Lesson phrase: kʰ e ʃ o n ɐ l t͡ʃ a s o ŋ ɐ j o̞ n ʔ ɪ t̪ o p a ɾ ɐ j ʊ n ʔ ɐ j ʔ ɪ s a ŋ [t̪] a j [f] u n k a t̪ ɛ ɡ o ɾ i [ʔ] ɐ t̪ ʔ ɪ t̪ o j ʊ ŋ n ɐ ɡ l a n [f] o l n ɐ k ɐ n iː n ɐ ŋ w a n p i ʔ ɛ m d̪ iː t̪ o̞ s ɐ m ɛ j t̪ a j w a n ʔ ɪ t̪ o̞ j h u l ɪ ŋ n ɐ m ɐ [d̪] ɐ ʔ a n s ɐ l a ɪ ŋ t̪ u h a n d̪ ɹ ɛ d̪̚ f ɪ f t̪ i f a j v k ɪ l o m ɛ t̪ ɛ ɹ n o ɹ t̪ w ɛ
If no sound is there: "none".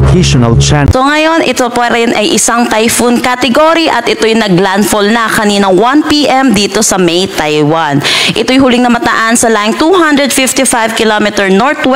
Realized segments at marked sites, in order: t̪, f, ʔ, f, t̪

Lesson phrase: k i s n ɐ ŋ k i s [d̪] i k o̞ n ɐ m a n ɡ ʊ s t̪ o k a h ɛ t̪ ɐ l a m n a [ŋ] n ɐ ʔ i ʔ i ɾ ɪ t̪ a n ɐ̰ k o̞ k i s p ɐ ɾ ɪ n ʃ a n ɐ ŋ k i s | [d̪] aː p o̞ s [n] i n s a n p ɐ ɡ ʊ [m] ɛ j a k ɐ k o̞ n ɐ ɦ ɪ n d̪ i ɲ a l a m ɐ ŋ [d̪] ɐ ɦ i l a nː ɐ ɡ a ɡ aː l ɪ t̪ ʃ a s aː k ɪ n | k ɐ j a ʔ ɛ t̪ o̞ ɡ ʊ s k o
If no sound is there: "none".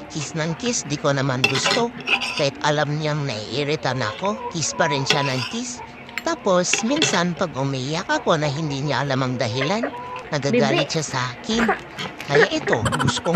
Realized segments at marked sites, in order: d̪, ŋ, t̪, m, m, d̪

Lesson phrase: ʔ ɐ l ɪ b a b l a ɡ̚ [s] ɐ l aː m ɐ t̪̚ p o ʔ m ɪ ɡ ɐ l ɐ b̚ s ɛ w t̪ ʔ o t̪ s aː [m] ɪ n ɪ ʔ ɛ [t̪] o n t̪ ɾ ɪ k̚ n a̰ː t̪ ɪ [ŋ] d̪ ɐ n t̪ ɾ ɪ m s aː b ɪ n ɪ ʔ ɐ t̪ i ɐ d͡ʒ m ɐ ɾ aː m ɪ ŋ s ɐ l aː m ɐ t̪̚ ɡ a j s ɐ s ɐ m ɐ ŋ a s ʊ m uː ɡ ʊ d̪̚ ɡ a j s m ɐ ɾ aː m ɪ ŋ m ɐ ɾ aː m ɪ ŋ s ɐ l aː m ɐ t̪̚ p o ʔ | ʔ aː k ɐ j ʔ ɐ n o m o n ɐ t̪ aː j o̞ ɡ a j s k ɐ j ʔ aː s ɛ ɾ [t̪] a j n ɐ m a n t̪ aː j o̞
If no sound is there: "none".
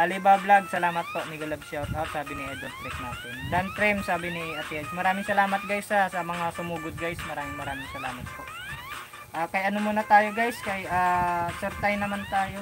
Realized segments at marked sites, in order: s, b, d̪, n, t̪

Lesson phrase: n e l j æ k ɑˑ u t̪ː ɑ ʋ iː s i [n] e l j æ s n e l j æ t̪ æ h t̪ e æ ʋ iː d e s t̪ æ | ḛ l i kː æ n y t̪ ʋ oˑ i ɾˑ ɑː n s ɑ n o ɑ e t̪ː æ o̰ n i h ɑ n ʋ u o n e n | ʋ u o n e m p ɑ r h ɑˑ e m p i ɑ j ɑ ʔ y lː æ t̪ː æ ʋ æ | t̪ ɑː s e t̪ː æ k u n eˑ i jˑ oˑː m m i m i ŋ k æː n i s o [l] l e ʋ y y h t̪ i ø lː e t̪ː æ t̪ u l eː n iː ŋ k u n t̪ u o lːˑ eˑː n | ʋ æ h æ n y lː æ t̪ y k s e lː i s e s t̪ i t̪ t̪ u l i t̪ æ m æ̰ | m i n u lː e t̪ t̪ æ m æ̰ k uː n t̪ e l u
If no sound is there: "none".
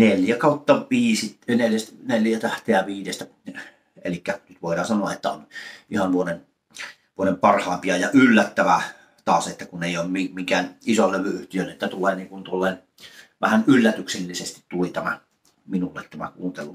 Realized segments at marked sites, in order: n, l

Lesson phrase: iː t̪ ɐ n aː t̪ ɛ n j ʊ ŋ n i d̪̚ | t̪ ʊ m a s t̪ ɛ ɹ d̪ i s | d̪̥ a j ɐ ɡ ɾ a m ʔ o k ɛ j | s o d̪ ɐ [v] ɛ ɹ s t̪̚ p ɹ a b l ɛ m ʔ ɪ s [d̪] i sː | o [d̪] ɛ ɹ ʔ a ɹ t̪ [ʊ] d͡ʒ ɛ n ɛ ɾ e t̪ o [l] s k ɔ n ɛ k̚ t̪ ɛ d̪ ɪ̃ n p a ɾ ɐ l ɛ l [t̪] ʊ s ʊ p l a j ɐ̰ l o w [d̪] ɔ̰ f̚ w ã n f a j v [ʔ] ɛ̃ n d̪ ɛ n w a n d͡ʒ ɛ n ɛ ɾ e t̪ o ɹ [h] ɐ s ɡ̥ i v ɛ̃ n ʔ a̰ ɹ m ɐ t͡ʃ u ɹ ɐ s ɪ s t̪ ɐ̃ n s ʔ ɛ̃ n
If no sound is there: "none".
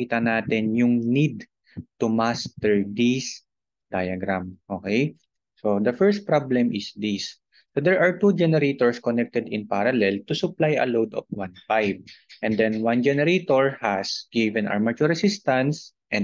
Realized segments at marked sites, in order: f, d̪, d̪, u, ɹ, t̪, d̪, ʔ, h

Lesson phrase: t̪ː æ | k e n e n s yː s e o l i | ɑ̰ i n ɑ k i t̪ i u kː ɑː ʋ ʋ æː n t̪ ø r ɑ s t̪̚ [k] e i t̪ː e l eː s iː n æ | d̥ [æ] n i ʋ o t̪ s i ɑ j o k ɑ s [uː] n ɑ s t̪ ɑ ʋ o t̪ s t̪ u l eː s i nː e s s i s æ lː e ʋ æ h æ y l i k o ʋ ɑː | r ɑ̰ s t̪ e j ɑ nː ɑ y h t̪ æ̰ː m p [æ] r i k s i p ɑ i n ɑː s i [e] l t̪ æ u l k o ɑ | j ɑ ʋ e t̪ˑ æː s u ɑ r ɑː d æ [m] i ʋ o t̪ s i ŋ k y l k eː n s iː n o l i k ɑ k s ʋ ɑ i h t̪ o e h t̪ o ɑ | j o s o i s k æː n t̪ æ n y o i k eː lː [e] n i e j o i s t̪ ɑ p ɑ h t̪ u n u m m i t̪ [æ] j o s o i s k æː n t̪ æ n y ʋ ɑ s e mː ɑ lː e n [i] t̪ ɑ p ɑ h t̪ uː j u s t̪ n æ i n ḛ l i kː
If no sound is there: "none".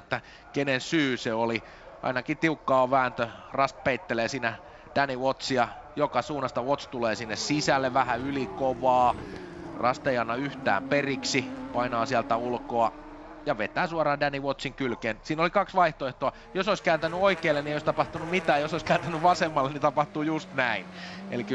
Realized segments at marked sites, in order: p, æ, uː, e, æ, n, e, æː, i

